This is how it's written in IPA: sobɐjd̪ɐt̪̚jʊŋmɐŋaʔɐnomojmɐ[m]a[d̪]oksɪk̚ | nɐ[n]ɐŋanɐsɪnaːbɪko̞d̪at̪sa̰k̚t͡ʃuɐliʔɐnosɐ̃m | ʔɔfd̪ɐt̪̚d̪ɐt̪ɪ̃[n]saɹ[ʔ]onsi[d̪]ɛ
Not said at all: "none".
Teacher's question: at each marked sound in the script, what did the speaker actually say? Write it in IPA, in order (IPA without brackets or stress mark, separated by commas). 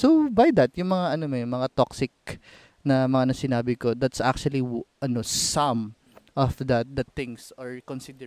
ŋ, t̪, m, ŋ, k, d̪